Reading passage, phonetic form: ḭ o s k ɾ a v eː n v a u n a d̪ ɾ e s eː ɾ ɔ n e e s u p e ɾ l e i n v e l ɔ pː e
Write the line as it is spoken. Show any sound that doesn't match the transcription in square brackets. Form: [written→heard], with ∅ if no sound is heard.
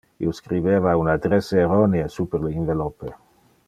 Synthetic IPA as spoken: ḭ o s k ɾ [a→i] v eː [n→∅] v a u n a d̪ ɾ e s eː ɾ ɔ n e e s u p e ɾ l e i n v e l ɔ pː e